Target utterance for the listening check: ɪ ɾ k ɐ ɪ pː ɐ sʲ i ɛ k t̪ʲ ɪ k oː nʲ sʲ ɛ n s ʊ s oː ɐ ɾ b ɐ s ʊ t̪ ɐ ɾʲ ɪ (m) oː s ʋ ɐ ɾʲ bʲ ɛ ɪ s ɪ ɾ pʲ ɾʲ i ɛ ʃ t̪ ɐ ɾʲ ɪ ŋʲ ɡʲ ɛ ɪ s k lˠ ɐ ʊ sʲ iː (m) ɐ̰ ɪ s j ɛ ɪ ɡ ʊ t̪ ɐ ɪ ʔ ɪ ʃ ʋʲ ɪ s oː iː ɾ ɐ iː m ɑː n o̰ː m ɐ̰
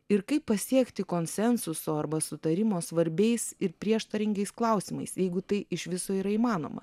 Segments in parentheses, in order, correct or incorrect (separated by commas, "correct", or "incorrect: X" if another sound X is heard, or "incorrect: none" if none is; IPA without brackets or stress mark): correct, correct